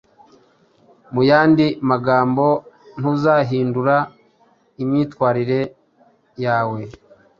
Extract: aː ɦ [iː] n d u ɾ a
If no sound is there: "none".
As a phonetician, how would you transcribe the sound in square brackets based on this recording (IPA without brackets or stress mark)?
iː